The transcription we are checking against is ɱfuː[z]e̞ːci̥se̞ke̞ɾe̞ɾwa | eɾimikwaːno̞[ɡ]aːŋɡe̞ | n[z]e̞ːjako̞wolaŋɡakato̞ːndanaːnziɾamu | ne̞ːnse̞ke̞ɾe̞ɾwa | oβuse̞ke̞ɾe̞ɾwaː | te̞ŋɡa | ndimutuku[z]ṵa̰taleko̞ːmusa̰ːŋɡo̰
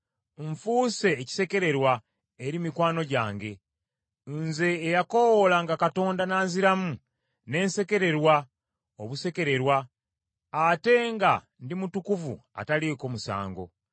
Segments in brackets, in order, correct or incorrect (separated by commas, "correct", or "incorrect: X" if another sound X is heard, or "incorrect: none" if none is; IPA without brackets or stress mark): incorrect: s, incorrect: ɟ, correct, incorrect: v